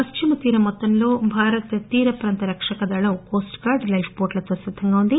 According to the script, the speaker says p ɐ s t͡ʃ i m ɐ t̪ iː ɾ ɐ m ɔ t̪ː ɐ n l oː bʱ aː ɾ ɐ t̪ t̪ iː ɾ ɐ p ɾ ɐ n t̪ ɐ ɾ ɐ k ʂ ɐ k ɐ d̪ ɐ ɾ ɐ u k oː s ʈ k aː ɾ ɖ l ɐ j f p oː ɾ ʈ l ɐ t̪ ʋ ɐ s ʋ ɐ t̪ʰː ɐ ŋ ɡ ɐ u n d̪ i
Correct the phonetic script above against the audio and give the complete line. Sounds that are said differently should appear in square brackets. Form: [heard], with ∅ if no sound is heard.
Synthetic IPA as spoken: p ɐ s t͡ʃ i m ɐ t̪ iː ɾ ɐ m ɔ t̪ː ɐ n l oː bʱ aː ɾ ɐ t̪ t̪ iː ɾ ɐ p ɾ ɐ n t̪ ɐ ɾ ɐ k ʂ ɐ k ɐ d̪ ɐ [ɭ] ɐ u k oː s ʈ k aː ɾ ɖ l ɐ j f p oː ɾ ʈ l ɐ t̪ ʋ ɐ s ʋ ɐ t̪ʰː ɐ ŋ ɡ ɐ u n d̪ i